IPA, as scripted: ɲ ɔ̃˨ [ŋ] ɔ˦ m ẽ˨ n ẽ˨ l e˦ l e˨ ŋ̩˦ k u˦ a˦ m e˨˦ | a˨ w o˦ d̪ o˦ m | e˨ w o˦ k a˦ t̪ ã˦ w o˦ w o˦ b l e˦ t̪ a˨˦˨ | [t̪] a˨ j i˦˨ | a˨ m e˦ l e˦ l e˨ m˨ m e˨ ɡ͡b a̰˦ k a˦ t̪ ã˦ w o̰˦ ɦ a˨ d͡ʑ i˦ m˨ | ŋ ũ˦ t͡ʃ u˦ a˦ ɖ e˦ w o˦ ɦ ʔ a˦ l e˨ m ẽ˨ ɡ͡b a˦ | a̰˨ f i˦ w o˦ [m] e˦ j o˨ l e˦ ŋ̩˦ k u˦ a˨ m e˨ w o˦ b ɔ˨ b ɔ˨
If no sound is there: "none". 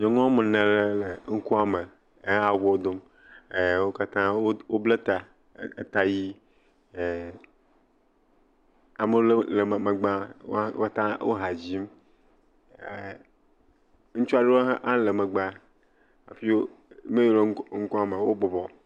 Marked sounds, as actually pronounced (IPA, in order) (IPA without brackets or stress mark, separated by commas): ŋ, t̪, m